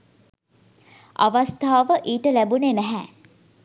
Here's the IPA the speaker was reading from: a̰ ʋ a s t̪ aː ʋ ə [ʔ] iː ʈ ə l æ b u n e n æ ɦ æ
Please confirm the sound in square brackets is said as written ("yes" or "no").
yes